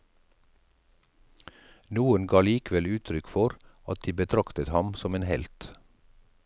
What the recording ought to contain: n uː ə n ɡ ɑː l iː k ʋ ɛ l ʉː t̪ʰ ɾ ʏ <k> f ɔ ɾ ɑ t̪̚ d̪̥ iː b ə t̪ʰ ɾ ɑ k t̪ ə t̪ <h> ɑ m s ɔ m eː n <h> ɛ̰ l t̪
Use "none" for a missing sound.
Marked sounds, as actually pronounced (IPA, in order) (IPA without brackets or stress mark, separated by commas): k, h, h